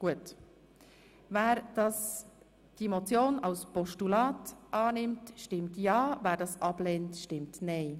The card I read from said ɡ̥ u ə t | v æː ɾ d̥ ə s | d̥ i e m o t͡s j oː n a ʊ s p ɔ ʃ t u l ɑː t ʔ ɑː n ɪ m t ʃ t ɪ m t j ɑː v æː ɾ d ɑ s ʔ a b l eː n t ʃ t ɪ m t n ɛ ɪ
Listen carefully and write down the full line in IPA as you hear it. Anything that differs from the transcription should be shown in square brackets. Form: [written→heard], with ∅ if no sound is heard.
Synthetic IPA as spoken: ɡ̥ u ə t | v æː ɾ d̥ [ə→ɑ] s | d̥ i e m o t͡s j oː n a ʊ s p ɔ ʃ t u l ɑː t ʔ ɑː n ɪ m t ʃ t ɪ m t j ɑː v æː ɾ d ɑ s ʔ [a→ɑ] b l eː n t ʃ t ɪ m t n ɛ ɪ